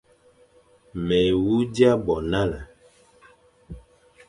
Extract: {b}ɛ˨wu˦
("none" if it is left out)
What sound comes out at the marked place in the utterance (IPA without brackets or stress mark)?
m